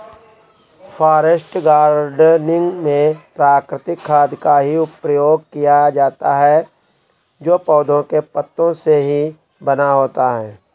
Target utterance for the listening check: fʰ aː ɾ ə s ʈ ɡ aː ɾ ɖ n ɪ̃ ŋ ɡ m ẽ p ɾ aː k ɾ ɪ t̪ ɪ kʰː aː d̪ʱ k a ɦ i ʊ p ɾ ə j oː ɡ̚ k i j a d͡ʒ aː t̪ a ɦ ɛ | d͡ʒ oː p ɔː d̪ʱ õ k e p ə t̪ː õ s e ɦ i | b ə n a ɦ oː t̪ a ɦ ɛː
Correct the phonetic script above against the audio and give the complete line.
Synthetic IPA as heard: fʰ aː ɾ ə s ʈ ɡ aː ɾ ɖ n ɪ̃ ŋ ɡ m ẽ p ɾ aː k ɾ ɪ t̪ ɪ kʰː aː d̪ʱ k a ɦ i ʊ p ɾ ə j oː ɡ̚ k i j a d͡ʒ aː t̪ a ɦ ɛ | d͡ʒ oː p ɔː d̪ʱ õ k e p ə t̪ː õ s e ɦ i | b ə n a ɦ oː t̪ a ɦ ɛː